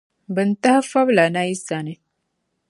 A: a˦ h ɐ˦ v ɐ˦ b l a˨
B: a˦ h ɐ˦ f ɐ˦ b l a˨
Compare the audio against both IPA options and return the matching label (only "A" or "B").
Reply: B